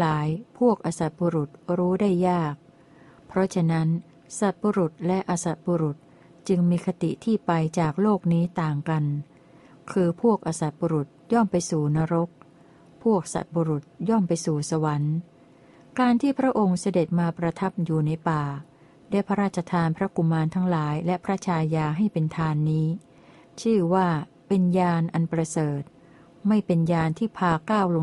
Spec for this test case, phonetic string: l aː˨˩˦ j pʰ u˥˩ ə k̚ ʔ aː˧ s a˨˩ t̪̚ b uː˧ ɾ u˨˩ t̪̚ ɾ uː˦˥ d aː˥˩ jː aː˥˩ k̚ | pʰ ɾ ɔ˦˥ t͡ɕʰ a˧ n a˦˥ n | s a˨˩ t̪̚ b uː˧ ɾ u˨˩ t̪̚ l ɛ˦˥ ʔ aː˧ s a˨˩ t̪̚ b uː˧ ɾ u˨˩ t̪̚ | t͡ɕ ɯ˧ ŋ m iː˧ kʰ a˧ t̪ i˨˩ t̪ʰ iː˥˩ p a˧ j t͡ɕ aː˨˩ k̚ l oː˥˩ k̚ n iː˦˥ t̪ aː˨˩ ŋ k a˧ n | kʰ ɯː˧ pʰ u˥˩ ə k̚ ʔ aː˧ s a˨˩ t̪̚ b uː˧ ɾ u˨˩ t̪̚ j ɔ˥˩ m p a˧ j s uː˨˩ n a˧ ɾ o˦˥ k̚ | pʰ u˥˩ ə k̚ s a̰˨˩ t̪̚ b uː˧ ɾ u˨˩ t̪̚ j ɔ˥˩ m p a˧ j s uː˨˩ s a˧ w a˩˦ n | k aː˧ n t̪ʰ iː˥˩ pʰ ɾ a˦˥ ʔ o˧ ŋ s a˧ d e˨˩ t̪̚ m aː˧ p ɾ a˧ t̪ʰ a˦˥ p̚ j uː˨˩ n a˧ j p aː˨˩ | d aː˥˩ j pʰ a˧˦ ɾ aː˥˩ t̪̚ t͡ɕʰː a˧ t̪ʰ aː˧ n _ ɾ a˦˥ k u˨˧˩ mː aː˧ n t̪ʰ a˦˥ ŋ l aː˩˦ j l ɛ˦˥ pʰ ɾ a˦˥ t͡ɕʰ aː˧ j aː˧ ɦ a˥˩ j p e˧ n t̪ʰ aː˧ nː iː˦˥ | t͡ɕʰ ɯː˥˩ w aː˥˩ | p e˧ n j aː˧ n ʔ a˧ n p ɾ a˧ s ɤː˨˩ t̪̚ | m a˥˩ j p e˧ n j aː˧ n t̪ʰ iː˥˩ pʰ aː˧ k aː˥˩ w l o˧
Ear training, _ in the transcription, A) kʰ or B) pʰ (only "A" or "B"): B